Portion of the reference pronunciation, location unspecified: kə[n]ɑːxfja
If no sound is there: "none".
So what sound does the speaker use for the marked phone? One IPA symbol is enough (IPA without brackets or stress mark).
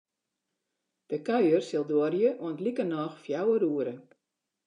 n